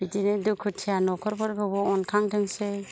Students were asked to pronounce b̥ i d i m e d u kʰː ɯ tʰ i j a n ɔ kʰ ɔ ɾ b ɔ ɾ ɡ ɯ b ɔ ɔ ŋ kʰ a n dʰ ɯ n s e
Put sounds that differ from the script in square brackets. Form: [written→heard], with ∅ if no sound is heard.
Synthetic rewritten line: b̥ i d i [m→n] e d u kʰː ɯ tʰ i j a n ɔ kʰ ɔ ɾ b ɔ ɾ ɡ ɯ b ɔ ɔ [ŋ→n] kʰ a [n→ŋ] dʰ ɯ [n→ŋ] s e